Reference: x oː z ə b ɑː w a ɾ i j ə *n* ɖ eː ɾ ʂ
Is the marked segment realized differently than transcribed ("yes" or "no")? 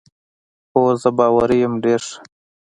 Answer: yes